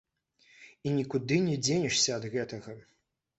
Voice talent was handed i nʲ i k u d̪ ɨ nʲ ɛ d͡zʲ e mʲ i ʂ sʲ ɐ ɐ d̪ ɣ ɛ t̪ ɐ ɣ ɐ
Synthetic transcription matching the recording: i nʲ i k u d̪ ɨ nʲ ɛ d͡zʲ e nʲ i ʂ sʲ ɐ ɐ d̪ ɣ ɛ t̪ ɐ ɣ ɐ

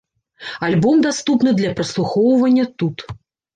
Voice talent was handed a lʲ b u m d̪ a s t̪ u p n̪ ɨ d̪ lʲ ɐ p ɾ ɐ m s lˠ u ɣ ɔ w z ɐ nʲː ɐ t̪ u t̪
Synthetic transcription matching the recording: a lʲ b ɔ m d̪ a s t̪ u p n̪ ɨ d̪ lʲ ɐ p ɾ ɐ s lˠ u x ɔ w v ɐ nʲː ɐ t̪ u t̪

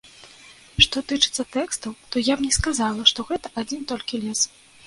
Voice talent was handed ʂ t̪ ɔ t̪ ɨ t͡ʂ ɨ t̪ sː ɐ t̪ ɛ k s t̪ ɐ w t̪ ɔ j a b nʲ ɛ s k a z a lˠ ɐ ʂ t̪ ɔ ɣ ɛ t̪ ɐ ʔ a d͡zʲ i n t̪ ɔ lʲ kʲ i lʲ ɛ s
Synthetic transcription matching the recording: ʂ t̪ ɔ t̪ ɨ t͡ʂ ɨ t̪ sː ɐ t̪ ɛ k s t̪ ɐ w t̪ ɔ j a b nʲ ɛ s k a z a lˠ ɐ ʂ t̪ ɔ ɣ ɛ t̪ ɐ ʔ a d͡zʲ i n t̪ ɔ lʲ kʲ i lʲ ɛ s

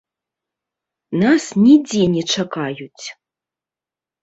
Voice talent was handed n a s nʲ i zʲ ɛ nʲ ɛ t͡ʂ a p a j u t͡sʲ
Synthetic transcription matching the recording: n a s nʲ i d͡zʲ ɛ nʲ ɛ t͡ʂ a k a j u t͡sʲ

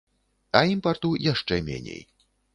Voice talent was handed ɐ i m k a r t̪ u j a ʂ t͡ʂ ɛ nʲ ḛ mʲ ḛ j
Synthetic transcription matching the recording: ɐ i m p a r t̪ u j a ʂ t͡ʂ ɛ mʲ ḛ nʲ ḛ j

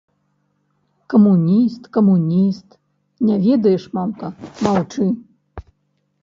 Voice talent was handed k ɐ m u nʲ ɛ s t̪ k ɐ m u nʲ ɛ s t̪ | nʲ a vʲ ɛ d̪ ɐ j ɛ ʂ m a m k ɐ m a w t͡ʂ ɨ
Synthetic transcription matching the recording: k ɐ m u nʲ i s t̪ k ɐ m u nʲ i s t̪ | nʲ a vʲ ɛ d̪ ɐ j ɛ ʂ m a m k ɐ m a w t͡ʂ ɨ

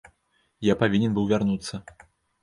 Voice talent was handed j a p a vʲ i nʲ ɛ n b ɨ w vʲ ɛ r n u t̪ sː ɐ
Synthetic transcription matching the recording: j a p a vʲ i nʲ ɛ n b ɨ w vʲ a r n u t̪ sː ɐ

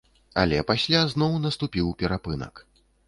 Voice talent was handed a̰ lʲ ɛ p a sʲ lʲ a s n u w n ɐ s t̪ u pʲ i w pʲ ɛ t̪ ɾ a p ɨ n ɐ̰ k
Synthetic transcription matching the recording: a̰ lʲ ɛ p a sʲ lʲ a z n ɔ w n ɐ s t̪ u pʲ i w pʲ ɛ ɾ a p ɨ n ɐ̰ k

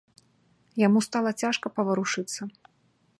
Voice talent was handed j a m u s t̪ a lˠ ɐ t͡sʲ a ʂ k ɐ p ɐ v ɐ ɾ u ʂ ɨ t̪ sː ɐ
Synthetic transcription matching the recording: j a m u s t̪ a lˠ ɐ t͡sʲ a ʂ k ɐ p ɐ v ɐ ɾ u ʂ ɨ t̪ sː ɐ

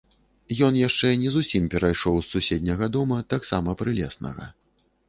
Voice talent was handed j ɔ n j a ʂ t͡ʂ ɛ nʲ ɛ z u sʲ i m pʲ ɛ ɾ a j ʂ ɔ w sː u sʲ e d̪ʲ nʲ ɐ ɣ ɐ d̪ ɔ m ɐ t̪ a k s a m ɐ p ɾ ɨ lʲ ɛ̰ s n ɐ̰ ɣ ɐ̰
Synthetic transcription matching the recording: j ɔ n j a ʂ t͡ʂ ɛ nʲ ɛ z u sʲ i m pʲ ɛ ɾ a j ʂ ɔ w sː u sʲ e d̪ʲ nʲ ɐ ɣ ɐ d̪ ɔ m ɐ t̪ a k s a m ɐ p ɾ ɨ lʲ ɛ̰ s n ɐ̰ ɣ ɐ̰

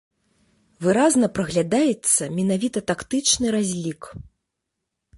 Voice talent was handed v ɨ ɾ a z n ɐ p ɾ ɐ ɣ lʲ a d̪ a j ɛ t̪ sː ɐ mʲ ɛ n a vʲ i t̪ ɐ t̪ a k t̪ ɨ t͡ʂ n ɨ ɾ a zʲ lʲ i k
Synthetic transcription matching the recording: v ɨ ɾ a z n ɐ p ɾ ɐ ɣ lʲ a d̪ a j ɛ t̪ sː ɐ mʲ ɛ n a vʲ i t̪ ɐ t̪ a k t̪ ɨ t͡ʂ n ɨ ɾ a zʲ lʲ i k

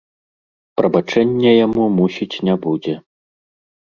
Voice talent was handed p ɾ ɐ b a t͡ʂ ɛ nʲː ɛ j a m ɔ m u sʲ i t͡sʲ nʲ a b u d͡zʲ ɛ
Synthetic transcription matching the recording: p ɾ ɐ b a t͡ʂ ɛ nʲː ɛ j a m u m u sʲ i t͡sʲ nʲ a b u d͡zʲ ɛ

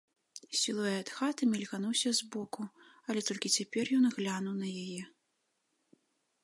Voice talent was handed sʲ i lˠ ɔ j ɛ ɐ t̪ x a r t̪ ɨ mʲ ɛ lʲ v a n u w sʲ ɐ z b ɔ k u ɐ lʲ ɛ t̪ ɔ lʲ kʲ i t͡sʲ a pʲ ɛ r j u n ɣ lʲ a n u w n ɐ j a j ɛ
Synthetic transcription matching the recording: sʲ i lˠ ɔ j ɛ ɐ t̪ x a t̪ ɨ mʲ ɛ lʲ ɣ a n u w sʲ ɐ z b ɔ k u ɐ lʲ ɛ t̪ ɔ lʲ kʲ i t͡sʲ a pʲ ɛ r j ɔ n ɣ lʲ a n u w n ɐ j a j ɛ

